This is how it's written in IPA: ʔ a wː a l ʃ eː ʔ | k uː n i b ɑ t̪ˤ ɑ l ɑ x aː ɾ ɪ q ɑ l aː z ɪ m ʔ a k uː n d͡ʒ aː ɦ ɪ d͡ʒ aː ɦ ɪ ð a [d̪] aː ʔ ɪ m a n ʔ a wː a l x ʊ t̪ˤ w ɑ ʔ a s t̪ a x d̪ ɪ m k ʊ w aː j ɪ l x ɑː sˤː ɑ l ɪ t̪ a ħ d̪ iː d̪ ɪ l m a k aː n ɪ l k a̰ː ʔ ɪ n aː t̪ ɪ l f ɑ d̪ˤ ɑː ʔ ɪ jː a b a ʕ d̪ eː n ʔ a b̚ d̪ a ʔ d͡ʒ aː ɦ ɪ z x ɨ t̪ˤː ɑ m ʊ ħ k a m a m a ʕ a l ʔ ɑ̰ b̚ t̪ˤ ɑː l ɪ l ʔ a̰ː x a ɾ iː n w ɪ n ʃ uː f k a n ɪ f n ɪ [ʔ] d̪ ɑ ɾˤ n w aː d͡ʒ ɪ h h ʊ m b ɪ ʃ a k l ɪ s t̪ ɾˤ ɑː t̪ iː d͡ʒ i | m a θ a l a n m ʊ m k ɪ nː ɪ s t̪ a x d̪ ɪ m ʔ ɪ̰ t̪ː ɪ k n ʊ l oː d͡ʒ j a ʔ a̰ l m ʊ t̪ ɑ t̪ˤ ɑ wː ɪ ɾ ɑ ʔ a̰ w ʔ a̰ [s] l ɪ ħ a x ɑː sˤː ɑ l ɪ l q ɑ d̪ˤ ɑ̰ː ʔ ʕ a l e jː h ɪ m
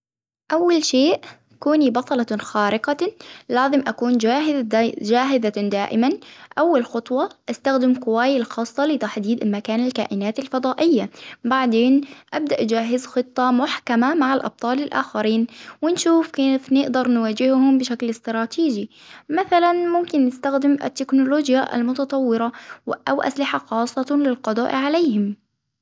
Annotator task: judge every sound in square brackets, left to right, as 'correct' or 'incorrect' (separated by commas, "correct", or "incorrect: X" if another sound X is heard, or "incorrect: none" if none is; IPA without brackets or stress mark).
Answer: correct, correct, correct